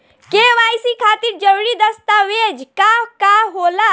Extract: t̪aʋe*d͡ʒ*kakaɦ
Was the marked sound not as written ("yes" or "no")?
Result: no